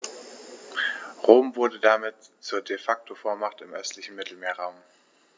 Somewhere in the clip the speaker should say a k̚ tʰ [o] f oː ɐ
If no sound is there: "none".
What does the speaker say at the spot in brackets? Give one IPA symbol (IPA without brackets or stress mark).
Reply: o